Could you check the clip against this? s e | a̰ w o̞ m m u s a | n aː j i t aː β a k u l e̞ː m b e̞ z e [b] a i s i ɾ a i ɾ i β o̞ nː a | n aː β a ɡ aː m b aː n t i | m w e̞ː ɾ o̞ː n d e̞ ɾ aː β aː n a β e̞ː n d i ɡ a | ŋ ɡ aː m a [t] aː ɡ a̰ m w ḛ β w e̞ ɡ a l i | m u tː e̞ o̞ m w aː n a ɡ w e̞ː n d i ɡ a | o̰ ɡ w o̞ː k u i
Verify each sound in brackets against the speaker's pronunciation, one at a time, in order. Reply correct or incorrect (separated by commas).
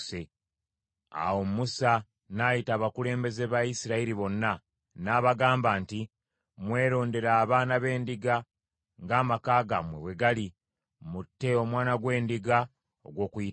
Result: incorrect, incorrect